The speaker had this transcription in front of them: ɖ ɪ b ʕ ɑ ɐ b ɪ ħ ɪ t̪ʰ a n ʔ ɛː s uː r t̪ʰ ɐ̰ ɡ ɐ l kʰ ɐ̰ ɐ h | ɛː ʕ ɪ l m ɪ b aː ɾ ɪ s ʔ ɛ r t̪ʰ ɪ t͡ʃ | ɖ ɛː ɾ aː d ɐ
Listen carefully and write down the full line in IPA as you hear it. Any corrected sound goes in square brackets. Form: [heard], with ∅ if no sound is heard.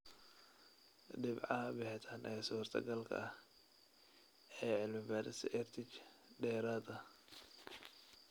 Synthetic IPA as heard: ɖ ɪ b ʕ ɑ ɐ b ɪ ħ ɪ t̪ʰ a n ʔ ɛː s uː r t̪ʰ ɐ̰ ɡ ɐ l kʰ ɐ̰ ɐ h | ɛː ʕ ɪ l m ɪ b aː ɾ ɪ s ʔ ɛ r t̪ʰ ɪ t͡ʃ | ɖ ɛː ɾ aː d ɐ

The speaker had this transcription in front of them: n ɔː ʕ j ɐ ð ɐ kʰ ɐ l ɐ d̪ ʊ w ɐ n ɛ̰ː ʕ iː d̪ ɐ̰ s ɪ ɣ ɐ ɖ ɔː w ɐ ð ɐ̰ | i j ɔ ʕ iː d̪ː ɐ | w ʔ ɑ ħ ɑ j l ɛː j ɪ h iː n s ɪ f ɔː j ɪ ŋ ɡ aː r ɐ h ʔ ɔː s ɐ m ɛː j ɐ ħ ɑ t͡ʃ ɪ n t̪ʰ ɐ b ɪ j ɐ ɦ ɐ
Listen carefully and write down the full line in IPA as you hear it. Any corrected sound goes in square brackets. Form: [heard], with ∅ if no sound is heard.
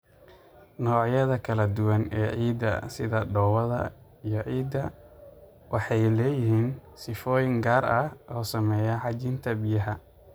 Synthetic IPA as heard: n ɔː ʕ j ɐ ð ɐ kʰ ɐ l ɐ d̪ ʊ w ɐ n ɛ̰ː ʕ iː d̪ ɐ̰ s ɪ [ð] ɐ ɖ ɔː w ɐ ð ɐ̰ | i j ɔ ʕ iː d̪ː ɐ | w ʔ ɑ ħ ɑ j l ɛː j ɪ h iː n s ɪ f ɔː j ɪ ŋ ɡ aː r ɐ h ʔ ɔː s ɐ m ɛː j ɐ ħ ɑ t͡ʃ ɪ n t̪ʰ ɐ b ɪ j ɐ ɦ ɐ

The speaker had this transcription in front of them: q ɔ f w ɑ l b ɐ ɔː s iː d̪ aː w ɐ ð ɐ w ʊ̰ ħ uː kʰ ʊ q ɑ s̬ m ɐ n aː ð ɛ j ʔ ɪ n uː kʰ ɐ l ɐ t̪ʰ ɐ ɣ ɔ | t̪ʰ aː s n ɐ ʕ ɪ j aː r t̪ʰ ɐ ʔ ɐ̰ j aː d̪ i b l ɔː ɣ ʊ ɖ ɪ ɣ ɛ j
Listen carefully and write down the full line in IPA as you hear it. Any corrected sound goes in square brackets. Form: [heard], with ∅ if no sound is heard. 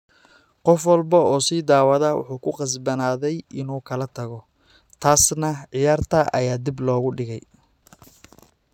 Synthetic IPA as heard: q ɔ f w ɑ l b ɐ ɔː s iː d̪ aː w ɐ ð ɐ w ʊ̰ ħ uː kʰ ʊ q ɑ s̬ [b] ɐ n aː ð ɛ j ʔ ɪ n uː kʰ ɐ l ɐ t̪ʰ ɐ ɣ ɔ | t̪ʰ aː s n ɐ ʕ ɪ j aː r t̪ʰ ɐ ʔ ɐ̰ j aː d̪ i b l ɔː ɣ ʊ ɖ ɪ ɣ ɛ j

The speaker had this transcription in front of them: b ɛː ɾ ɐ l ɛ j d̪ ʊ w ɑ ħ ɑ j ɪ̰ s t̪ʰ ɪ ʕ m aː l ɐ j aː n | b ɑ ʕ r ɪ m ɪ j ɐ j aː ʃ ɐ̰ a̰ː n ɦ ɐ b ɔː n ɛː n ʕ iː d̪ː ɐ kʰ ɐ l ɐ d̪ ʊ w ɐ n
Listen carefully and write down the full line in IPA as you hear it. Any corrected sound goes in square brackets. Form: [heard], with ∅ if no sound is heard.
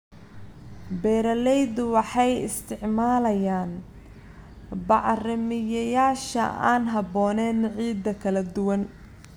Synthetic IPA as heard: b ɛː ɾ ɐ l ɛ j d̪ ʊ w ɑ ħ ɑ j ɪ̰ s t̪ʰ ɪ ʕ m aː l ɐ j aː n | b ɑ ʕ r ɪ m ɪ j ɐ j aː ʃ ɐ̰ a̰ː n ɦ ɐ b ɔː n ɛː n ʕ iː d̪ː ɐ kʰ ɐ l ɐ d̪ ʊ w ɐ n

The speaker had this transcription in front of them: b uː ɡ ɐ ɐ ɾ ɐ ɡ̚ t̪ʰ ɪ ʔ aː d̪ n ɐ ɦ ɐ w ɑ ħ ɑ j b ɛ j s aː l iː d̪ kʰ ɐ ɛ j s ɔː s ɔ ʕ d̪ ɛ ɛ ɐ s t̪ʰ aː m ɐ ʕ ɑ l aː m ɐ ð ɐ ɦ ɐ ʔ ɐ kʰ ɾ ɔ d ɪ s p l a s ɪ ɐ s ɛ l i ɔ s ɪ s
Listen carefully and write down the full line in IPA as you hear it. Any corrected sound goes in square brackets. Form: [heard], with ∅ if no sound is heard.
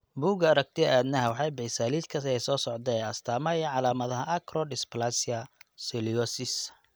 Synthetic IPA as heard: b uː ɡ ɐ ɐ ɾ ɐ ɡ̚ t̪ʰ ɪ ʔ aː d̪ n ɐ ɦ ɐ w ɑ ħ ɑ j b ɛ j s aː l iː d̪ kʰ ɐ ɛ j s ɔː s ɔ ʕ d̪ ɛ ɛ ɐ s t̪ʰ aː m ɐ ʕ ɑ l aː m ɐ ð ɐ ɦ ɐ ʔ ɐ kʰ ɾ ɔ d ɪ s p l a s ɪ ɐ s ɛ l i ɔ s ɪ s

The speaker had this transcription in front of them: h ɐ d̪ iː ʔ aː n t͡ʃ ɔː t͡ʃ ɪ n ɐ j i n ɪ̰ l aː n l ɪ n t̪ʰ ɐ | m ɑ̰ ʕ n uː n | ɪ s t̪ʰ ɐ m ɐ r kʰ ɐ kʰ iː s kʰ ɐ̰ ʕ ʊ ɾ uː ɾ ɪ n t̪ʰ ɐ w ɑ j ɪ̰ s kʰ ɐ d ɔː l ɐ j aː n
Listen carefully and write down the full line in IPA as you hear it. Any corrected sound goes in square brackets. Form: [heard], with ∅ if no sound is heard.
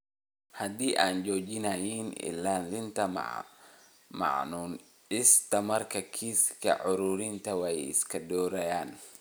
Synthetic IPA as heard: h ɐ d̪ iː ʔ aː n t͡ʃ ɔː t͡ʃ ɪ n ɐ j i n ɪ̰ l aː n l ɪ n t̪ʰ ɐ | m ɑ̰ ʕ n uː n | ɪ s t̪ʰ ɐ m ɐ r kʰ ɐ kʰ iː s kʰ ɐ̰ ʕ ʊ ɾ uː ɾ ɪ n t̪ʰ ɐ w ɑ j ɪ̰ s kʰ ɐ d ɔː [ɾ] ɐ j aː n

